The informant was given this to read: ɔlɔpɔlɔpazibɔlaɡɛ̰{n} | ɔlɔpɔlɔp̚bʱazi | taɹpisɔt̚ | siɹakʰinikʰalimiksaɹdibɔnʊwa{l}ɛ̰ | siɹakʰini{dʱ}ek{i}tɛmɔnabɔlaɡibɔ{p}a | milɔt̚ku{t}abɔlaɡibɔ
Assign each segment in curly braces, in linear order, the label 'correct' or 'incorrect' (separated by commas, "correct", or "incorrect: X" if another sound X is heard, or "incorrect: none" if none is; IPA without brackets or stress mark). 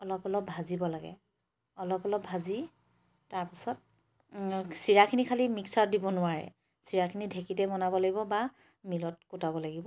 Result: incorrect: none, incorrect: ɹ, correct, correct, incorrect: b, correct